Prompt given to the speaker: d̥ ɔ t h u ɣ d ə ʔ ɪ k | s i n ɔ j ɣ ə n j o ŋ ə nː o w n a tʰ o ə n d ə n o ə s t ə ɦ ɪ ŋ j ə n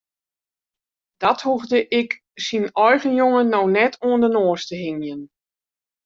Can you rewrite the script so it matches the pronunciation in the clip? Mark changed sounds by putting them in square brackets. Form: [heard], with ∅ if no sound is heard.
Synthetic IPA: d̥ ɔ t h u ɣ d ə ʔ ɪ k | s i n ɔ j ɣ ə n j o ŋ ə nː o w n [ɛ] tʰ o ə n d ə n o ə s t ə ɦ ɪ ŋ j ə n